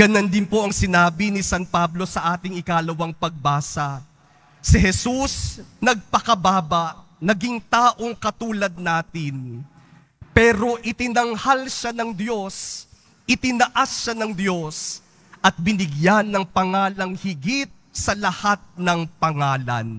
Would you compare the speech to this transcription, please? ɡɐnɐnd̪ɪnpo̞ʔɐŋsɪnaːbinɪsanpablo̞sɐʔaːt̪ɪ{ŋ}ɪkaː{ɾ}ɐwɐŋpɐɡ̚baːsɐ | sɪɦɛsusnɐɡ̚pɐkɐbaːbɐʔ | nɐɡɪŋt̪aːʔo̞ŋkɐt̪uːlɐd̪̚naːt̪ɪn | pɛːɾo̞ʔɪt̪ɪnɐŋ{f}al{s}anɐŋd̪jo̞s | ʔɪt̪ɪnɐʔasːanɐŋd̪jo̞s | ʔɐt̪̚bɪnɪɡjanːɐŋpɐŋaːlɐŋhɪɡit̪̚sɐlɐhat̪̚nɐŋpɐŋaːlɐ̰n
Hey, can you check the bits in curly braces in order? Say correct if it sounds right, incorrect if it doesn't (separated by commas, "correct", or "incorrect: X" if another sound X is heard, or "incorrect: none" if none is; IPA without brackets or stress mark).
correct, incorrect: l, incorrect: h, incorrect: ʃ